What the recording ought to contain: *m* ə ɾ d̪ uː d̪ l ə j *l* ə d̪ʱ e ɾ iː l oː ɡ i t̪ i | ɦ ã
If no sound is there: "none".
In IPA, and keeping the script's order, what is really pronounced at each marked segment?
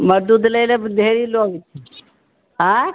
m, l

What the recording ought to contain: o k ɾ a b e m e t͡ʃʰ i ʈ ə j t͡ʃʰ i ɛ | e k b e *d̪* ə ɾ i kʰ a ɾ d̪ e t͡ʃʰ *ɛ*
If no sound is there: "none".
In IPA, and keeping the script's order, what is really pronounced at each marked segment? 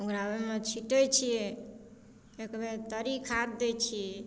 t̪, i

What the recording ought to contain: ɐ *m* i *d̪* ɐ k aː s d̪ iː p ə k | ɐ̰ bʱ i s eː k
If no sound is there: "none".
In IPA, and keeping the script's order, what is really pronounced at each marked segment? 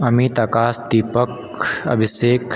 m, t̪

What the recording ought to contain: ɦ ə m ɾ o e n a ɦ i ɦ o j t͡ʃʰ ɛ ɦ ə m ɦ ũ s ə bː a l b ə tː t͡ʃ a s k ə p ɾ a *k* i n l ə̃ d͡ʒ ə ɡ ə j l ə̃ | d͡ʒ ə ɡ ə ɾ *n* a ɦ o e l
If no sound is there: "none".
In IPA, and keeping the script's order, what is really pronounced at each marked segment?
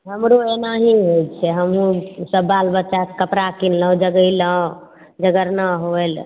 k, n

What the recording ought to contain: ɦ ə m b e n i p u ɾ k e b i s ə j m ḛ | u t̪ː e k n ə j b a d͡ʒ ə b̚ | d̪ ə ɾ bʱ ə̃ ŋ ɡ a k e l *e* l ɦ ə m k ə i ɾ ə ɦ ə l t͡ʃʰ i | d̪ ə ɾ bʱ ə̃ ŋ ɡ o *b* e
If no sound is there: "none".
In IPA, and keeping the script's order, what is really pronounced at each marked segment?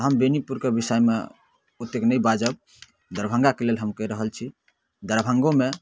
e, m

